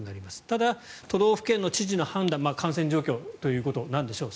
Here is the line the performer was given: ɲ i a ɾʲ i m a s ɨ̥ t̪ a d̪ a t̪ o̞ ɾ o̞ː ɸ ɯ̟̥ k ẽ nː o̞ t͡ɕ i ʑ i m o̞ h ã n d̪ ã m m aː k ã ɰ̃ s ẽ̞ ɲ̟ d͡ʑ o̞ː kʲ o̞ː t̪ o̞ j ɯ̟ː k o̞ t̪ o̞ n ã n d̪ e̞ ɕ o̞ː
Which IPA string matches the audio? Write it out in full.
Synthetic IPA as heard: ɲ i a ɾʲ i m a s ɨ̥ t̪ a d̪ a t̪ o̞ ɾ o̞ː ɸ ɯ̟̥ k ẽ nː o̞ t͡ɕ i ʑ i n o̞ h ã n d̪ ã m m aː k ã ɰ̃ s ẽ̞ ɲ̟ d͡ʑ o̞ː kʲ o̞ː t̪ o̞ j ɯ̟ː k o̞ t̪ o̞ n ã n d̪ e̞ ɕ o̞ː